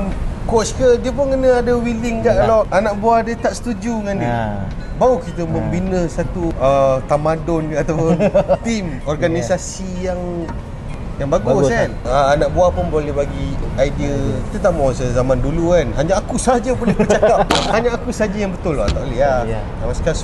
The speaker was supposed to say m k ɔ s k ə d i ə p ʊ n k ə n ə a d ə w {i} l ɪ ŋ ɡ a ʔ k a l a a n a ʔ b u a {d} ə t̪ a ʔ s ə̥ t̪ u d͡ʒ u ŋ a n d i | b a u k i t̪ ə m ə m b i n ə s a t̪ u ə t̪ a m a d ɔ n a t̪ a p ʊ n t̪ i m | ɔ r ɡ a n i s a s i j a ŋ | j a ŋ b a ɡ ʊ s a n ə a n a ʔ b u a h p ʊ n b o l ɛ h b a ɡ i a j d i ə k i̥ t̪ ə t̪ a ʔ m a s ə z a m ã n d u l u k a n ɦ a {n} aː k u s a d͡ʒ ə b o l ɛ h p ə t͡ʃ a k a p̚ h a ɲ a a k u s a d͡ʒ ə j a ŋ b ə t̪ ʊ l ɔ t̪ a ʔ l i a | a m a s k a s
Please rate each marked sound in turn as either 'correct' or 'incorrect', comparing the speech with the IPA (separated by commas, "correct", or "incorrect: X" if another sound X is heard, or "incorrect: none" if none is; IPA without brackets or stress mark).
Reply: correct, correct, incorrect: ɲ